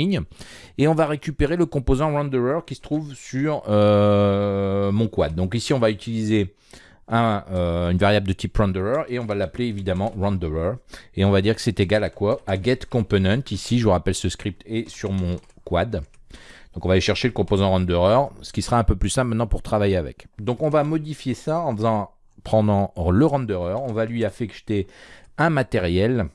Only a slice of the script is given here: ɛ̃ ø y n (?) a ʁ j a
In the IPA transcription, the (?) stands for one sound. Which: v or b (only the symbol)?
v